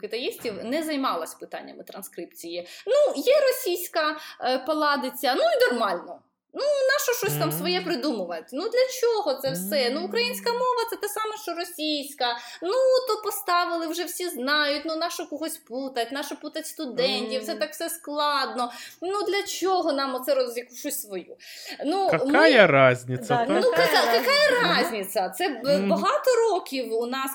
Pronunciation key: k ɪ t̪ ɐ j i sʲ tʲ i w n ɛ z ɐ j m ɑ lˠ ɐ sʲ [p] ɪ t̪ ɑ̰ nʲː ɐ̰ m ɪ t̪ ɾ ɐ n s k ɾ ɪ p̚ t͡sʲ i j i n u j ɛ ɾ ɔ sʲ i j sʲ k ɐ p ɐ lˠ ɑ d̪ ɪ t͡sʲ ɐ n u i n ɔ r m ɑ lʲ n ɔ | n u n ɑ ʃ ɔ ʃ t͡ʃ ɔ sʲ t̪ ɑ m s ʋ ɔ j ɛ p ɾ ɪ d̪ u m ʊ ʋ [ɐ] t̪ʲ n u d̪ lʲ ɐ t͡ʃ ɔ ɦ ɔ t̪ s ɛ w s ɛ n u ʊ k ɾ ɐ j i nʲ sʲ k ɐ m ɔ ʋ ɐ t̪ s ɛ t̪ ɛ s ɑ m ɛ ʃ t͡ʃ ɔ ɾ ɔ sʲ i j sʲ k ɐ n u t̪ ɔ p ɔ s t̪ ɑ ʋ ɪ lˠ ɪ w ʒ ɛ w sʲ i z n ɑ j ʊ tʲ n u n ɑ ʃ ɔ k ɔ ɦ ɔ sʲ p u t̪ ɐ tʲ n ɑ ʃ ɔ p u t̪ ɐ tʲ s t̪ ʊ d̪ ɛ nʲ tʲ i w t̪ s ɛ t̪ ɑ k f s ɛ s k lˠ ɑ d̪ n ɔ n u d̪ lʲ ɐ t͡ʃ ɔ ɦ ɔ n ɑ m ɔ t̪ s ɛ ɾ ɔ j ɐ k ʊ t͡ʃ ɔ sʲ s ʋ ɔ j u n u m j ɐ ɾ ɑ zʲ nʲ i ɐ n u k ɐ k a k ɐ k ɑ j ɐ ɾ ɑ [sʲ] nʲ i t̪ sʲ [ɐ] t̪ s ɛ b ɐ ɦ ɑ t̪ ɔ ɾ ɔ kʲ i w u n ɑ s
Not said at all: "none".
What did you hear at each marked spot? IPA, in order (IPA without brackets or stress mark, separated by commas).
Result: p, ɐ, zʲ, ɐ